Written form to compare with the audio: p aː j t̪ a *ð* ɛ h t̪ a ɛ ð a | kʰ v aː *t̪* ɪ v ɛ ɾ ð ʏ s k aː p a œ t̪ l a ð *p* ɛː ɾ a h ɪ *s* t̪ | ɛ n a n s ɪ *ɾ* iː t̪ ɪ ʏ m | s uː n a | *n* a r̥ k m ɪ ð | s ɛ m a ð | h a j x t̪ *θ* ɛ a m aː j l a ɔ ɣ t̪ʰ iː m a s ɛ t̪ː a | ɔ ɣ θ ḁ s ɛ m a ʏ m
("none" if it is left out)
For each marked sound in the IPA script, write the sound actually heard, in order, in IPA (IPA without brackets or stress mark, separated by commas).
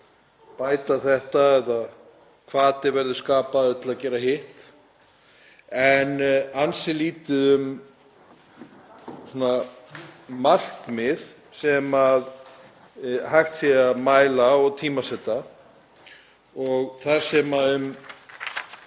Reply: θ, t̪, c, h, l, m, s